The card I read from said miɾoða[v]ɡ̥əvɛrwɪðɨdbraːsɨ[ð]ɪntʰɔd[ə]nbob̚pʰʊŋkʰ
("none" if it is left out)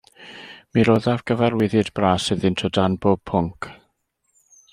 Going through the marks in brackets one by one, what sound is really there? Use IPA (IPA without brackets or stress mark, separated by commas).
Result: v, ð, a